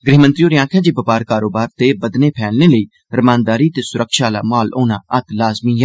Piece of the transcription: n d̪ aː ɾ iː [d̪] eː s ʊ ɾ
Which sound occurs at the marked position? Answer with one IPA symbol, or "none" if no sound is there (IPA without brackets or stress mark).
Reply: t̪